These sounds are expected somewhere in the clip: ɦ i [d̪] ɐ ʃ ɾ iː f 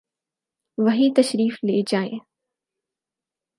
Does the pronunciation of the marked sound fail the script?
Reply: yes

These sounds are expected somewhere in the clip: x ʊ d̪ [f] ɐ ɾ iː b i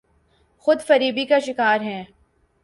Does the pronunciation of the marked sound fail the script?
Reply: no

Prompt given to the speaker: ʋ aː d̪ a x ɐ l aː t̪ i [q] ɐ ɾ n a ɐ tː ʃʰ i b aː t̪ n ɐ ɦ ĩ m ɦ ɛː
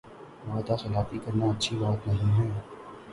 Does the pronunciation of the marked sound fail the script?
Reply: yes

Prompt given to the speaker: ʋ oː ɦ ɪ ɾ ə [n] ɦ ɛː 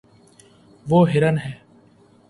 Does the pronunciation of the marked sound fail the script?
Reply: no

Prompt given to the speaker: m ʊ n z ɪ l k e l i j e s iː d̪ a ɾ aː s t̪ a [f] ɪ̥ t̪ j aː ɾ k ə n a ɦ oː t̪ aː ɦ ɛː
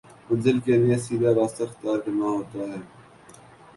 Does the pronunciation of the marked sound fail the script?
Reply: yes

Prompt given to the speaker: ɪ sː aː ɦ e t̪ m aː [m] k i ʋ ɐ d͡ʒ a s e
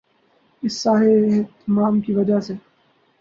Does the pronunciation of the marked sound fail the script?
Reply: no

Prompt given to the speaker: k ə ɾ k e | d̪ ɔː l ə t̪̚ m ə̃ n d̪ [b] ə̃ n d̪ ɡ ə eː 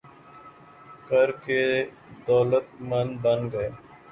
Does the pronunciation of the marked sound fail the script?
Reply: no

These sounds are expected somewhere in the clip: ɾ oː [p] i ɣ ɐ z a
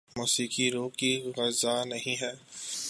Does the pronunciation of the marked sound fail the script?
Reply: yes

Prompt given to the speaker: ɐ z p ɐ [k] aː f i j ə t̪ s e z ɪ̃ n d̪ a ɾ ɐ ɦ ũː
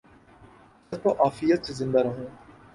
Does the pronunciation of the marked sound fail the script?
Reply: yes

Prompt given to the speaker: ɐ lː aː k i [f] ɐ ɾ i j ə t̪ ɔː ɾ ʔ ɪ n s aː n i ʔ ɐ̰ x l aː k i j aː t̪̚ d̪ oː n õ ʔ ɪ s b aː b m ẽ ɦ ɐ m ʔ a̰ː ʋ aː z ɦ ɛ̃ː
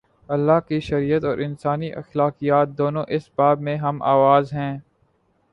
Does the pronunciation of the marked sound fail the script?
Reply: yes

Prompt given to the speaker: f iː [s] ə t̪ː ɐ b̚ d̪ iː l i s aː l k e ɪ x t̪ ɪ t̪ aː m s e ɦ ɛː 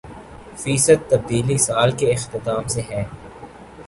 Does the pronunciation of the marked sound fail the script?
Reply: no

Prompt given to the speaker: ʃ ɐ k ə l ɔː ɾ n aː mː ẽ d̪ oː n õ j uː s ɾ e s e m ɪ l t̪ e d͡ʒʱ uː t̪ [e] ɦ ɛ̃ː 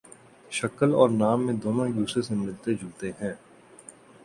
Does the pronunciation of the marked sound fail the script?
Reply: no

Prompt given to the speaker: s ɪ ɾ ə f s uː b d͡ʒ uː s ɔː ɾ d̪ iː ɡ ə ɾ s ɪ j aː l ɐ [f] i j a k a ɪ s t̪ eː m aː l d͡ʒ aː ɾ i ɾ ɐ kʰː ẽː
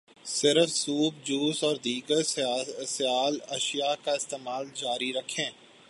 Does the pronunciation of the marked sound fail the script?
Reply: yes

